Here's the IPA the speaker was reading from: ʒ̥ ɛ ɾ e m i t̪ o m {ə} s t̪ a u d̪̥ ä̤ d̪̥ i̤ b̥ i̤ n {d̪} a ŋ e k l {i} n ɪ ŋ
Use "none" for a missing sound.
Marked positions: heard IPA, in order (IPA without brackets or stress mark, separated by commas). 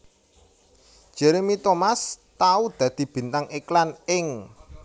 a, t̪, a